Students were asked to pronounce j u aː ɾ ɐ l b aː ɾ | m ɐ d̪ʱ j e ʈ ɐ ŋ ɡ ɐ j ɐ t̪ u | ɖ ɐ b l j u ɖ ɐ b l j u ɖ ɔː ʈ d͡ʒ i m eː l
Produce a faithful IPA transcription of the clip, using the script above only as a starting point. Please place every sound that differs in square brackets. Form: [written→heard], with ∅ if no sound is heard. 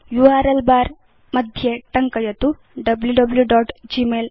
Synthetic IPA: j u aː ɾ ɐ l b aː ɾ | m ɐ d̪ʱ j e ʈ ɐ ŋ [ɡ→k] ɐ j ɐ t̪ u | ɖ ɐ b l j u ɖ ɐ b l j u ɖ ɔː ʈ d͡ʒ i m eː l